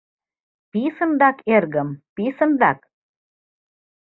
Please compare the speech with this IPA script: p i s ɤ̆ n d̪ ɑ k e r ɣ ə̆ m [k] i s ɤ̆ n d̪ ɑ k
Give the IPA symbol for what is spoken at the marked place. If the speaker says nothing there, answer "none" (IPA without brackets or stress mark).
p